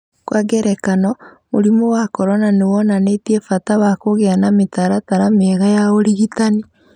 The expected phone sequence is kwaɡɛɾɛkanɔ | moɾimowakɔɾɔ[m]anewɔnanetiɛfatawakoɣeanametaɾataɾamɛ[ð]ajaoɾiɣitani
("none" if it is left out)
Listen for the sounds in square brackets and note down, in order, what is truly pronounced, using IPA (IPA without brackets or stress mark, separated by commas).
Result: n, ɣ